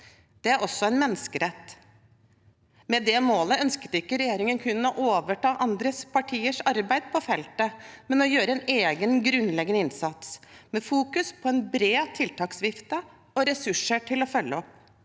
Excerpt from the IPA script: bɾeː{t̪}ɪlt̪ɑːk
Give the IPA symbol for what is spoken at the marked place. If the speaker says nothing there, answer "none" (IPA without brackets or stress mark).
t̪ʰ